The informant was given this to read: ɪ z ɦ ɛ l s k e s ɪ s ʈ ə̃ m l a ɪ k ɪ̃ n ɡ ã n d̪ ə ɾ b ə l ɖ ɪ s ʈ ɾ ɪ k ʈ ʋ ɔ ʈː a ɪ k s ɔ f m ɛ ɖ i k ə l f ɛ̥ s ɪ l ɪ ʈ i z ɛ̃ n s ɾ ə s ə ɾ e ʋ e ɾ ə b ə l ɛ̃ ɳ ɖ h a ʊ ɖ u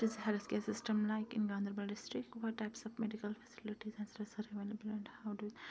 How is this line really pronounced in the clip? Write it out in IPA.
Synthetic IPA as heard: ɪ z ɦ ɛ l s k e s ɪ s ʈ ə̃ m l a ɪ k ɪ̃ n ɡ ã n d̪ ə ɾ b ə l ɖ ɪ s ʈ ɾ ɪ k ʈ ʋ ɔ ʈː a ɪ p s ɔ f m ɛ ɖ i k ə l f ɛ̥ s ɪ l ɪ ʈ i z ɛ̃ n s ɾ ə s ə ɾ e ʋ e l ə b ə l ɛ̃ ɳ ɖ h a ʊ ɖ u